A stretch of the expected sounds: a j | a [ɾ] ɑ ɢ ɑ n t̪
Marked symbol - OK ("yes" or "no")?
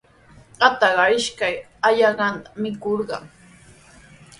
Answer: no